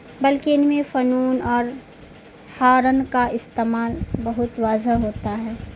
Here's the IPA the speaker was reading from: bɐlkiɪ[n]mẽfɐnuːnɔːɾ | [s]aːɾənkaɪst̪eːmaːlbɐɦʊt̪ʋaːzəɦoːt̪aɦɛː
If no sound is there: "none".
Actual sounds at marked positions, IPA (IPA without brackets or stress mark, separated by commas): n, h